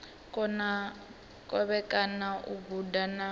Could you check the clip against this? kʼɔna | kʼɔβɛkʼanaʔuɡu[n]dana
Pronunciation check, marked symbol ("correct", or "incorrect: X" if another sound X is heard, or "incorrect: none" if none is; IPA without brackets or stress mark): incorrect: none